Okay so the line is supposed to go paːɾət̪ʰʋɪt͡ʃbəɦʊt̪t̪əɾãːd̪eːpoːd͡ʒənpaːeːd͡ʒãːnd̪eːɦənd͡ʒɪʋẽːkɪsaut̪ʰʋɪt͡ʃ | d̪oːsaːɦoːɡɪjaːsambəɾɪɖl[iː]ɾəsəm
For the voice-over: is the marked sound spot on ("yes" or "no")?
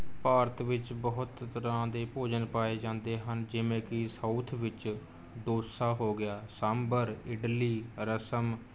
yes